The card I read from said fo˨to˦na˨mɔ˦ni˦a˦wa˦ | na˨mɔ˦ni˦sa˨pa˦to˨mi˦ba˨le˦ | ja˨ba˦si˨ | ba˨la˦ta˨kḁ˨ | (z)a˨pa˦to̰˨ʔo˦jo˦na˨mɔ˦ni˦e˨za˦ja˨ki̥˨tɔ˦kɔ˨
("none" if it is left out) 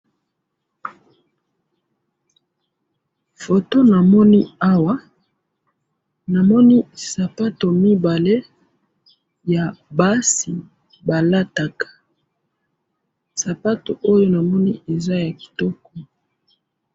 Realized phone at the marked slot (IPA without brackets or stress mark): s